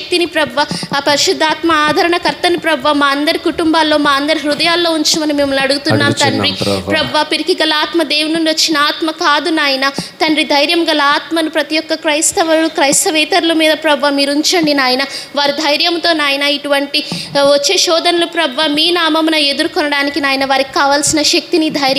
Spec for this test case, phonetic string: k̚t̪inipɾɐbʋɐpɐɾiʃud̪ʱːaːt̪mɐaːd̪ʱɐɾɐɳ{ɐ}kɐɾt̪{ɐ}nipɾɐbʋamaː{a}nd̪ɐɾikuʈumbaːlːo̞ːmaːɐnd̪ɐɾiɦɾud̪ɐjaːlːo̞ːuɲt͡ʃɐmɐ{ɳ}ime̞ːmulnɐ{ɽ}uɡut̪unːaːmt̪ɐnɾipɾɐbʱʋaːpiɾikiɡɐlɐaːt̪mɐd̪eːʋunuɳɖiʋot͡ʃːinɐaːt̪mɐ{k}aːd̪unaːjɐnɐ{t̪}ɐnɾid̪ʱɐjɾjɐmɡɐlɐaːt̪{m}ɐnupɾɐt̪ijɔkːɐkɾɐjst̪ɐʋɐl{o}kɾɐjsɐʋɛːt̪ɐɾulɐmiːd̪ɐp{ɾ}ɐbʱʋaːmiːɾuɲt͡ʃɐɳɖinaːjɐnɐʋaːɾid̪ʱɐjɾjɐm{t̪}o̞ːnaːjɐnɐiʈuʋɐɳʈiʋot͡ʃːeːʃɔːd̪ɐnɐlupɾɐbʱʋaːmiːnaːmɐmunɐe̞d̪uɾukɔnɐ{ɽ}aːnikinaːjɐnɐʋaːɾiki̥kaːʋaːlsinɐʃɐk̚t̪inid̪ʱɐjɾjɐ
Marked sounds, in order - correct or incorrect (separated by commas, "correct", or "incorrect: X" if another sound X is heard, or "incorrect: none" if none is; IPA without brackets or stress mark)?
correct, correct, incorrect: ɐ, incorrect: n, correct, correct, correct, correct, incorrect: u, correct, correct, correct